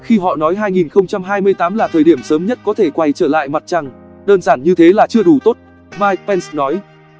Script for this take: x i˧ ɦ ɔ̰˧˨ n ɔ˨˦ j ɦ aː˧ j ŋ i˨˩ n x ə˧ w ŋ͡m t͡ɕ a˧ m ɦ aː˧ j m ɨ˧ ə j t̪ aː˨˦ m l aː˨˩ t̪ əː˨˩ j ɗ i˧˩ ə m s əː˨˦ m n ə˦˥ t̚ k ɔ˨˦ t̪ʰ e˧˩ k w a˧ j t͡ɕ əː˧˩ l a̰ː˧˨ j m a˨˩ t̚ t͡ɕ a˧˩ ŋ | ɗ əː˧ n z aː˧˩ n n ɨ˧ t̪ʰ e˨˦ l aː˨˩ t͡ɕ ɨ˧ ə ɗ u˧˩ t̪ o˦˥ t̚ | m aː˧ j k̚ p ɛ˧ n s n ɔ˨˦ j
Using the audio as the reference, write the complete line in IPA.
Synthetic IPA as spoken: x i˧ ɦ ɔ̰˧˨ n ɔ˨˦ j ɦ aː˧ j ŋ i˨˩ n x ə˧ w ŋ͡m t͡ɕ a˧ m ɦ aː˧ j m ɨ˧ ə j t̪ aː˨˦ m l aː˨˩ t̪ʰ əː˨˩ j ɗ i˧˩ ə m s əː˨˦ m ɲ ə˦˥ t̚ k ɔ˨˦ t̪ʰ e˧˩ k w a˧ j t͡ɕ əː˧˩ l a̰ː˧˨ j m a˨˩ t̚ t͡ɕ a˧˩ ŋ | ɗ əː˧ n z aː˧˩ n ɲ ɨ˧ t̪ʰ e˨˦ l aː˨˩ t͡ɕ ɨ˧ ə ɗ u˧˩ t̪ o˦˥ t̚ | m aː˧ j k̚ p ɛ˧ n s n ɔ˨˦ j

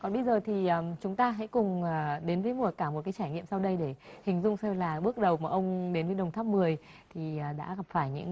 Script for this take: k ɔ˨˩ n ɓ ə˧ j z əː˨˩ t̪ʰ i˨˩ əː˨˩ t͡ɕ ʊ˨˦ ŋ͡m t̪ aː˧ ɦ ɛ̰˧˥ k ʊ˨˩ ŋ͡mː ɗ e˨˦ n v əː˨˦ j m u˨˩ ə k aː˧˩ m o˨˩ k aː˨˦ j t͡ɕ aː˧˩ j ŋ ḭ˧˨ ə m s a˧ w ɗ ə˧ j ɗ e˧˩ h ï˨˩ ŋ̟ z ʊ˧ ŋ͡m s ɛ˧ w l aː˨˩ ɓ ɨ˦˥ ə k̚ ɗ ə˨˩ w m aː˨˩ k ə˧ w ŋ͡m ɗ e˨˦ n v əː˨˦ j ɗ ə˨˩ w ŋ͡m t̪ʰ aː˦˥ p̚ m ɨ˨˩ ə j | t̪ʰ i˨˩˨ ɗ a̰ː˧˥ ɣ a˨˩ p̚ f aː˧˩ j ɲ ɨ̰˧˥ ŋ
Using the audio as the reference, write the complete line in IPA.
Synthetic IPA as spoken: k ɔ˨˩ n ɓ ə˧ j z əː˨˩ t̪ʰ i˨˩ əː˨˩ t͡ɕ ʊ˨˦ ŋ͡m t̪ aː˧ ɦ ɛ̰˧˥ k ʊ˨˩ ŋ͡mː ɗ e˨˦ n v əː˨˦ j m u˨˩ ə k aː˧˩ m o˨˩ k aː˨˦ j t͡ɕ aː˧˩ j ŋ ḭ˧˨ ə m s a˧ w ɗ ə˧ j ɗ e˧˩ h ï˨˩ ŋ̟ z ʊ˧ ŋ͡m s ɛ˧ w l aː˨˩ ɓ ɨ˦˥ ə k̚ ɗ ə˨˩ w m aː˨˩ ʔ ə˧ w ŋ͡m ɗ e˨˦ n v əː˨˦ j ɗ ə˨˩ w ŋ͡m t̪ʰ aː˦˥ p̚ m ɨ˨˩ ə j | t̪ʰ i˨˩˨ ɗ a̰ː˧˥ ɣ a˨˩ p̚ f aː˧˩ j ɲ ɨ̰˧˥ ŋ

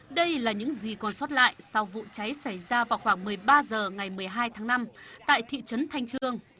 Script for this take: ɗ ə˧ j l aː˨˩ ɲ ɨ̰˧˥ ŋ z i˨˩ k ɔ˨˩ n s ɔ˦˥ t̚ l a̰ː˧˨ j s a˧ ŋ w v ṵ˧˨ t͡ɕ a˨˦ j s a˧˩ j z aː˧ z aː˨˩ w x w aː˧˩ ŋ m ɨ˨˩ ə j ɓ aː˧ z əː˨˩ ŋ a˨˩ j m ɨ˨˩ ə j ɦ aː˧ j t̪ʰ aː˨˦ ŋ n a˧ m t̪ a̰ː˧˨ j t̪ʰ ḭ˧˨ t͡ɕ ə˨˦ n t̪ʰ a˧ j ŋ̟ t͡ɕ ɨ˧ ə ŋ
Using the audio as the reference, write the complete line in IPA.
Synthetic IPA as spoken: ɗ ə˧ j l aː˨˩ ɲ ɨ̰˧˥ ŋ z i˨˩ k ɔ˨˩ n s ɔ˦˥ t̚ l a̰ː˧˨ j s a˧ w v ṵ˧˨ t͡ɕ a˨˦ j s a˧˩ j z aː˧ v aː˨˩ w x w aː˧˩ ŋ m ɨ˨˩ ə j ɓ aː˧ z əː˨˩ ŋ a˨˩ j m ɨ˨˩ ə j ɦ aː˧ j t̪ʰ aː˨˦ ŋ n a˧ m t̪ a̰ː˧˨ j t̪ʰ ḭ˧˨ t͡ɕ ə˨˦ n t̪ʰ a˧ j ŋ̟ t͡ɕ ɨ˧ ə ŋ

